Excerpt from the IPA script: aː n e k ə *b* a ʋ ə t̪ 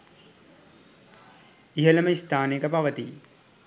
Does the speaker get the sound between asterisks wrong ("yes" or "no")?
yes